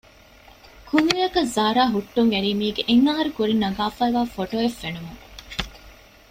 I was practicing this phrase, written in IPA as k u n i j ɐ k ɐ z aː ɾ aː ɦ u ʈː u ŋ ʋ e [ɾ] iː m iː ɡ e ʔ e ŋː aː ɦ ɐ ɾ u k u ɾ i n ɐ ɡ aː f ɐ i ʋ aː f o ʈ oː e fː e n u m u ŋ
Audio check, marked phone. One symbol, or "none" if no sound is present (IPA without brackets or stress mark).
ɾ